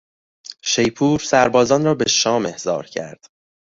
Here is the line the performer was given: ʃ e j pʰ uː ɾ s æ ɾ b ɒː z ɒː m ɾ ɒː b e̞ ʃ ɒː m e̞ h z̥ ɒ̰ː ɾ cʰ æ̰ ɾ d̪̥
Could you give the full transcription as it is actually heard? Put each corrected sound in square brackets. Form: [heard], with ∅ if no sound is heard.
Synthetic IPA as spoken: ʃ e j pʰ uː ɾ s æ ɾ b ɒː z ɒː [n] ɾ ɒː b e̞ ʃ ɒː m e̞ h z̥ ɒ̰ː ɾ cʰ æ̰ ɾ d̪̥